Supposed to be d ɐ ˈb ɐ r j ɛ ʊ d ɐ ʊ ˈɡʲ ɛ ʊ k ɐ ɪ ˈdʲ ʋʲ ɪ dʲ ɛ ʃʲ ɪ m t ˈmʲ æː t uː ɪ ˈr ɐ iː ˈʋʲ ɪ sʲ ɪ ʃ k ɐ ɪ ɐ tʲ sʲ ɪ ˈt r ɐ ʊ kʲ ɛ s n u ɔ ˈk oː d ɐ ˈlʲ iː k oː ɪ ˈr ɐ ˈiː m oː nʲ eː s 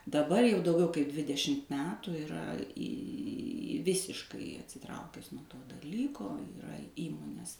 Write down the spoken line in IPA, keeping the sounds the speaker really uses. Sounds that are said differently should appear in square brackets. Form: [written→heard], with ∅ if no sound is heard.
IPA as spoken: d ɐ ˈb ɐ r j ɛ ʊ d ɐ ʊ ˈɡʲ ɛ ʊ k ɐ ɪ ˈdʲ ʋʲ ɪ dʲ ɛ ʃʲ ɪ m t ˈmʲ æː t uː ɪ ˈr ɐ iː ˈʋʲ ɪ sʲ ɪ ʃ k ɐ ɪ ɐ tʲ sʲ ɪ ˈt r ɐ ʊ kʲ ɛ s n u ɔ [ˈk→ˈt] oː d ɐ ˈlʲ iː k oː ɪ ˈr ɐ ˈiː m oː nʲ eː s